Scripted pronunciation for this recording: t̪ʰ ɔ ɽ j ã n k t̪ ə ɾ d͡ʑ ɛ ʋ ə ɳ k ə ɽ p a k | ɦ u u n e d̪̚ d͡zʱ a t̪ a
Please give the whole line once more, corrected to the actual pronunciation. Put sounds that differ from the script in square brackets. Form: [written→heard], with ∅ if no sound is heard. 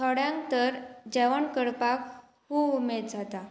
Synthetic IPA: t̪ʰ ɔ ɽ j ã [n→ŋ] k t̪ ə ɾ d͡ʑ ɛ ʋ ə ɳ k ə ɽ p a k | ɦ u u [n→m] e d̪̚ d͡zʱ a t̪ a